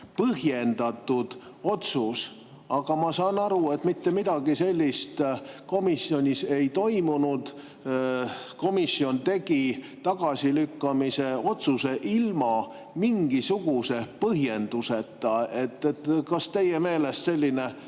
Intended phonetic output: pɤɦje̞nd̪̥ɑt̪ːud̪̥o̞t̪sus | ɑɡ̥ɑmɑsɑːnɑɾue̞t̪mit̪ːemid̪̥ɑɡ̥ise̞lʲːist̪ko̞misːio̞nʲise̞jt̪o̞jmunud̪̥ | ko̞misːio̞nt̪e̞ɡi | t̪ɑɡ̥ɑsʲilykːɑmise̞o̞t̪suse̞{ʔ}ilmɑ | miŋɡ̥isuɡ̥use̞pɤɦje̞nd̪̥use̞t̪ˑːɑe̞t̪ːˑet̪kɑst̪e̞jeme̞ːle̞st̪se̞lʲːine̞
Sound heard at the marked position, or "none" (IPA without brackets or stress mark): ʔ